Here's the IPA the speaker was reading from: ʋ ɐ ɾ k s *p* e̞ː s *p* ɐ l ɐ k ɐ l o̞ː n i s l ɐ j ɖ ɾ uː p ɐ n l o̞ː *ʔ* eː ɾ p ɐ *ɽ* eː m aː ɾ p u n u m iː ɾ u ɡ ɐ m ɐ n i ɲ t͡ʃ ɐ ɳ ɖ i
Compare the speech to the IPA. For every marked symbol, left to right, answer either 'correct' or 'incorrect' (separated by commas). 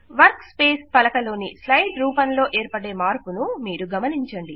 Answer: correct, correct, correct, correct